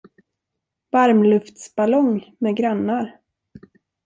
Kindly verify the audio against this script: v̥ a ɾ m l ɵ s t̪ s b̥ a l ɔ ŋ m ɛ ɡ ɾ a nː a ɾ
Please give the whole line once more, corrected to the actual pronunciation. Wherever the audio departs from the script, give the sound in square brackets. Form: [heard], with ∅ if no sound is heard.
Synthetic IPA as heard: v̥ a ɾ m l ɵ [f] t̪ s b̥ a l ɔ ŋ m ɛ ɡ ɾ a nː a ɾ